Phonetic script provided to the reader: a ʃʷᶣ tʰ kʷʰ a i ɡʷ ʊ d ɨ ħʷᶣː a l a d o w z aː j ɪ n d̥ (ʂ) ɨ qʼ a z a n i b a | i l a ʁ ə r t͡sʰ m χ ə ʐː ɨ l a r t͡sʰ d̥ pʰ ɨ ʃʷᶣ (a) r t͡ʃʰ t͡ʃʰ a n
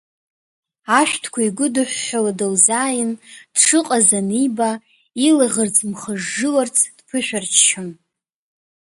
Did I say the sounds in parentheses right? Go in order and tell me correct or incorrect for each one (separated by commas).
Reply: correct, correct